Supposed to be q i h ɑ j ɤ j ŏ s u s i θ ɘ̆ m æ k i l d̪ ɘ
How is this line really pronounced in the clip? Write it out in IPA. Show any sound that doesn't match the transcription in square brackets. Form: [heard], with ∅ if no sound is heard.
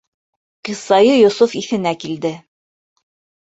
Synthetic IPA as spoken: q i [s] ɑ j ɤ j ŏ s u [f] i θ ɘ̆ [n] æ k i l d̪ ɘ